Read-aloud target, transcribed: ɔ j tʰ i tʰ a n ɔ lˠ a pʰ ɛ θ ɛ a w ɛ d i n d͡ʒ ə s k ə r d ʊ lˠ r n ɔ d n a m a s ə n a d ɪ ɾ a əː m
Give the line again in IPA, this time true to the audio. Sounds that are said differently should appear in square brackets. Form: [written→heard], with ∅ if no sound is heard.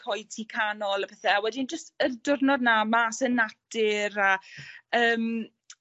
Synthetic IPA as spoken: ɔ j tʰ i [tʰ→kʰ] a n ɔ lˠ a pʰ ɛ θ ɛ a w ɛ d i n d͡ʒ ə s [k→t] ə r d ʊ [lˠ→∅] r n ɔ d n a m a s ə n a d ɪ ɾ a əː m